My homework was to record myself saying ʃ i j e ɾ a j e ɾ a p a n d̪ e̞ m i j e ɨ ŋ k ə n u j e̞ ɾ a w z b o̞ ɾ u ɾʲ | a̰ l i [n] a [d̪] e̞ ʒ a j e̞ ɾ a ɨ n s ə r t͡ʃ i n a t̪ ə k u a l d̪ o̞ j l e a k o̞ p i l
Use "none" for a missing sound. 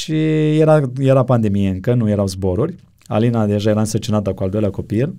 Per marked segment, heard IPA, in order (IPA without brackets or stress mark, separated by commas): n, d̪